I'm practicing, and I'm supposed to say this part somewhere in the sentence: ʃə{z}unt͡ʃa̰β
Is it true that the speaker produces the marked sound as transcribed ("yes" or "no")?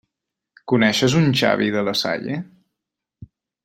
yes